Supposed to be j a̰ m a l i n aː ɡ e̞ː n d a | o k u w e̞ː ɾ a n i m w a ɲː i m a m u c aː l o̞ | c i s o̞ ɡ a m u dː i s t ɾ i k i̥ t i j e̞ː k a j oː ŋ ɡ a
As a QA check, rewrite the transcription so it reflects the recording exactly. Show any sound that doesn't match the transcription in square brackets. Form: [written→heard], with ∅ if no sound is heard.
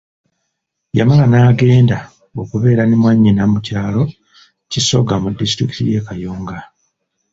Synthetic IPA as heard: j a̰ m a l [i→a] n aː ɡ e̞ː n d a | o k u [w→β] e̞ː ɾ a n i m w a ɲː i [m→n] a m u c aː l o̞ | c i s o̞ ɡ a m u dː i s t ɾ i k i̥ t i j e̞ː k a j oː ŋ ɡ a